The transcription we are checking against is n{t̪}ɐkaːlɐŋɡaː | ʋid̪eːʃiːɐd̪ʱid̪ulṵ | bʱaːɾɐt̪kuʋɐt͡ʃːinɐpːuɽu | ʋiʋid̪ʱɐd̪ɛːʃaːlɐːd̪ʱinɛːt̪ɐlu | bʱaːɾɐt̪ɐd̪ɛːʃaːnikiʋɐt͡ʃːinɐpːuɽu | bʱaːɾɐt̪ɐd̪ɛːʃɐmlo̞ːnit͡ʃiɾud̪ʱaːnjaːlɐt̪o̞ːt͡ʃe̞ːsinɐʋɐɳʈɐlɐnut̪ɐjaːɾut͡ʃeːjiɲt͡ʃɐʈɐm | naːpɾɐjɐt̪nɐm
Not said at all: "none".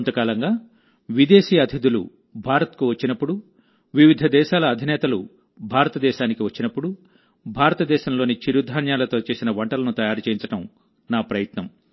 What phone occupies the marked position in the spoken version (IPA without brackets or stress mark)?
t̪